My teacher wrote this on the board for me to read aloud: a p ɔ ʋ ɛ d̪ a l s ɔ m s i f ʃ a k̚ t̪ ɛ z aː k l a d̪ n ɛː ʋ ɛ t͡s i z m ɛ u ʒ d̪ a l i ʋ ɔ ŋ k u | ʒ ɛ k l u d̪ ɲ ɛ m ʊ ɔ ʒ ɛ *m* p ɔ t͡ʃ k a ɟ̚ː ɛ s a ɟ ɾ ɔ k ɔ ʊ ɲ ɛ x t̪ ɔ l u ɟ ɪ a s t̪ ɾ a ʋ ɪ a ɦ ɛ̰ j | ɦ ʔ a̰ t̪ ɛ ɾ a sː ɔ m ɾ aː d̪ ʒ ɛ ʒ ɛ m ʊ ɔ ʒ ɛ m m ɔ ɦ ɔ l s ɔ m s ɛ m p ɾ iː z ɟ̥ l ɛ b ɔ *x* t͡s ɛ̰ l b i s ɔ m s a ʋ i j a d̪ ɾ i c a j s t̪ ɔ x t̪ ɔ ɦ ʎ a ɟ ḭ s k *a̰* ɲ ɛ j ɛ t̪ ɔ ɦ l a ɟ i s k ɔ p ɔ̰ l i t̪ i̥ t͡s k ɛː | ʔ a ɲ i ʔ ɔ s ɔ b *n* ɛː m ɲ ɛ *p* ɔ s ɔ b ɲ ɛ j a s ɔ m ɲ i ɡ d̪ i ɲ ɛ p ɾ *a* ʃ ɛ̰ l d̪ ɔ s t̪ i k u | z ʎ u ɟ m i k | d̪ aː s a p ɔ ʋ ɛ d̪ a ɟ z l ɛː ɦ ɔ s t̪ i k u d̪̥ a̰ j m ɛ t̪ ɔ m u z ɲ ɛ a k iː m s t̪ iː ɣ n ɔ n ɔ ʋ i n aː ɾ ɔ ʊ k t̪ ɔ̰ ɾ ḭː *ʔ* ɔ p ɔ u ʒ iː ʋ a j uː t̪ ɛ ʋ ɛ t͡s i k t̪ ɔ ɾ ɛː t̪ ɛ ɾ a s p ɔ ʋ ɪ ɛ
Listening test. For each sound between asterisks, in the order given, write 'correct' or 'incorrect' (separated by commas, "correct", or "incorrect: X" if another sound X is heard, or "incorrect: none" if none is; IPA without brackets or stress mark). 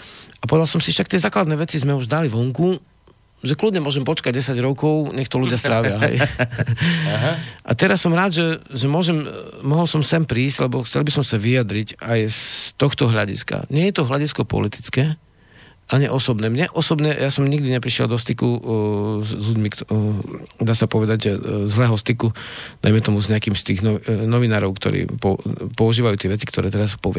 correct, correct, correct, correct, incorrect: ʔ, incorrect: i, incorrect: p